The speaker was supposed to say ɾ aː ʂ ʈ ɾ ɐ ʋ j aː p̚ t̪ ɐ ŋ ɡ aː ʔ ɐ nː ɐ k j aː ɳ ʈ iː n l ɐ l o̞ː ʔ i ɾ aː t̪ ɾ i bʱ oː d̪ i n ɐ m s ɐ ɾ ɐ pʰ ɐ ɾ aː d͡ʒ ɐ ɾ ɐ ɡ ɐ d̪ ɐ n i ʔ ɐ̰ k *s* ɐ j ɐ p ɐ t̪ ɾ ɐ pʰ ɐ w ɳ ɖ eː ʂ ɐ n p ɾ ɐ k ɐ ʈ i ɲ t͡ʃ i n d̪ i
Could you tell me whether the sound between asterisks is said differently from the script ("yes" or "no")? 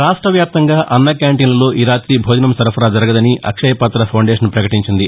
yes